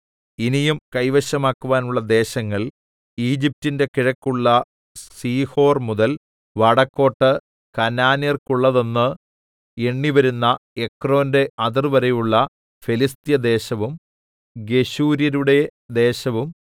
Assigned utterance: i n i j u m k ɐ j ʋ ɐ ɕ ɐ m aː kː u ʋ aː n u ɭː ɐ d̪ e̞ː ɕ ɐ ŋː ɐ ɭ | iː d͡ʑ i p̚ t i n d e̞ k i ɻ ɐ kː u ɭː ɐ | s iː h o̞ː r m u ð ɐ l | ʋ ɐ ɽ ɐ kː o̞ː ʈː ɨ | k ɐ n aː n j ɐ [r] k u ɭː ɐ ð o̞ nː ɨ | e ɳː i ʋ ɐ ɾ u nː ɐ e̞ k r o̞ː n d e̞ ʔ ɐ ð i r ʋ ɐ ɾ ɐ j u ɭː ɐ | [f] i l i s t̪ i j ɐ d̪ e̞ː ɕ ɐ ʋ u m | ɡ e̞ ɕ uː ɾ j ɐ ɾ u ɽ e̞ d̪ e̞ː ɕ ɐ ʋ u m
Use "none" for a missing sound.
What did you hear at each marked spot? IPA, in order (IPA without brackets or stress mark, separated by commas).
r, f